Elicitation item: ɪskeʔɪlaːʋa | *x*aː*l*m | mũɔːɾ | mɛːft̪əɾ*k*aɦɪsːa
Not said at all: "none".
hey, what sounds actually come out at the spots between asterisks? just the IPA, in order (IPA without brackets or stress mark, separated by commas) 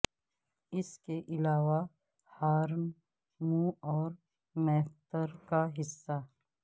h, ɾ, k